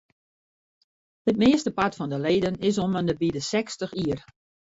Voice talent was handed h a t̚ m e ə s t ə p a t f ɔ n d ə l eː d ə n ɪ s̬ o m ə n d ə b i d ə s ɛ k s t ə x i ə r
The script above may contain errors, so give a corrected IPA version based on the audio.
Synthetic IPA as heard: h ə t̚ m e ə s t ə p a t f ɔ n d ə l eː d ə n ɪ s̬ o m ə n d ə b i d ə s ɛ k s t ə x i ə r